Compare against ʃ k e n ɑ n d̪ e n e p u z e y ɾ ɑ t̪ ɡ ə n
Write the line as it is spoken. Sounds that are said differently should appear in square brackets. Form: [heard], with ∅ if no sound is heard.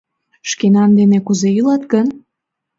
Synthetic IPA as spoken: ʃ k e n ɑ n d̪ e n e [k] u z e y [l] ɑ t̪ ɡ ə n